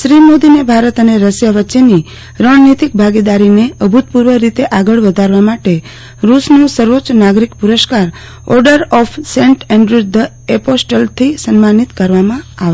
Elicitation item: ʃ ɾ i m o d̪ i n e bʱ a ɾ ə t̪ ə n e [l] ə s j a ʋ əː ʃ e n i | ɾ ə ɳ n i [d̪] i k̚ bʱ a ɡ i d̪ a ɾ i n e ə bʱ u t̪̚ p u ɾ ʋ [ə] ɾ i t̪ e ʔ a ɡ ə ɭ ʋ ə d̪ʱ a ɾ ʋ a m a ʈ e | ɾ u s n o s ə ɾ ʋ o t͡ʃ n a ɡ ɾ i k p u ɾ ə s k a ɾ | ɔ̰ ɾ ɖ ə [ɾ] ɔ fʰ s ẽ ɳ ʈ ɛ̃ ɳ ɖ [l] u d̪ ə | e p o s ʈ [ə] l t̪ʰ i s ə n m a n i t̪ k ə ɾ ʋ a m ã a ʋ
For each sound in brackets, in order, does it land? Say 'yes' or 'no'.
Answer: no, no, yes, yes, no, yes

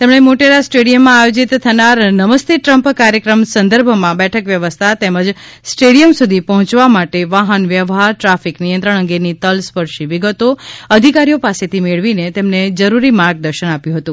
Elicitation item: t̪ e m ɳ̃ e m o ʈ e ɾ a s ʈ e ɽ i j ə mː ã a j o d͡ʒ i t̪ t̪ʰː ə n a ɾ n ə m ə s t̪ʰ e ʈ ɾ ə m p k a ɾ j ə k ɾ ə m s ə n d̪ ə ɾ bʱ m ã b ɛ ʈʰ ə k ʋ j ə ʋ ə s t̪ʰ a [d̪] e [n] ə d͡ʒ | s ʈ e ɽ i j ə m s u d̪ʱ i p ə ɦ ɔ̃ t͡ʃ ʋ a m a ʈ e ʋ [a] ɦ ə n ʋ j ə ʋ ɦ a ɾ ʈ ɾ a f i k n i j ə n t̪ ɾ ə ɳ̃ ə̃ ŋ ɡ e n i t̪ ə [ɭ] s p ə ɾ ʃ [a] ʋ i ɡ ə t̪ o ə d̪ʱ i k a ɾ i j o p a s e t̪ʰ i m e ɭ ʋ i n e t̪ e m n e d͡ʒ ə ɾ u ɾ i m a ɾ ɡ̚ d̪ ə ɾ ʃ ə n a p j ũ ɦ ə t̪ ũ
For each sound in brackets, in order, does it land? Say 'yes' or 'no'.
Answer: no, no, yes, no, no

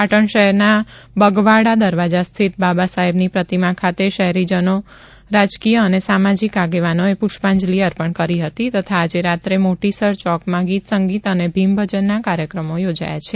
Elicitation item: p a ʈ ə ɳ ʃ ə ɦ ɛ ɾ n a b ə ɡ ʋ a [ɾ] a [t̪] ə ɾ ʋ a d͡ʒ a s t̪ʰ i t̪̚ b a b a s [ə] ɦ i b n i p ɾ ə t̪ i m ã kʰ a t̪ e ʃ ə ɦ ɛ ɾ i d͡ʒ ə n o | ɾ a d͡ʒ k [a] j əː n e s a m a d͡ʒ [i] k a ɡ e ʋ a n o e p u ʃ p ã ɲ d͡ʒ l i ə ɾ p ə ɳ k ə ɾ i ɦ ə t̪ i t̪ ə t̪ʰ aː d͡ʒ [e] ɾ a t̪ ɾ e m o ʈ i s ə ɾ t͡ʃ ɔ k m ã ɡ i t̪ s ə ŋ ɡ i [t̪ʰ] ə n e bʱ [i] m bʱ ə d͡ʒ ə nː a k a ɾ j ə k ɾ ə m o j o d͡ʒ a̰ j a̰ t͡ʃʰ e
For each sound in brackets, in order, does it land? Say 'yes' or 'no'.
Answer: no, no, no, no, yes, yes, no, yes

